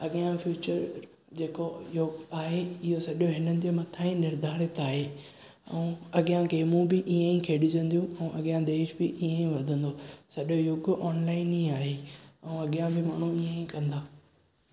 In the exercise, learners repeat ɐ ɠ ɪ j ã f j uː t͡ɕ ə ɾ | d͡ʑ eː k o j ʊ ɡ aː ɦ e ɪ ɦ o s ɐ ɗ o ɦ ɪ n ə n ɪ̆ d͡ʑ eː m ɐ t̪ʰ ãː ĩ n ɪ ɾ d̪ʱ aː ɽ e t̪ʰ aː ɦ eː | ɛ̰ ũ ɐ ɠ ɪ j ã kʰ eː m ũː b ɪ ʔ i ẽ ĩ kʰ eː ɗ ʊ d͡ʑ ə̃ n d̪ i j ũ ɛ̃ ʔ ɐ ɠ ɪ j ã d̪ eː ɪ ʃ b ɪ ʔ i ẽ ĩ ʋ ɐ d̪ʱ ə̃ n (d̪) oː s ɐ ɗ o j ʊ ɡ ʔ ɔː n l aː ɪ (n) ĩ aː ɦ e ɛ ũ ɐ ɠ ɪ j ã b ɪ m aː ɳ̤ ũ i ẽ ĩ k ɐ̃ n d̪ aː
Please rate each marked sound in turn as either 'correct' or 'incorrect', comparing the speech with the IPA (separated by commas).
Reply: correct, correct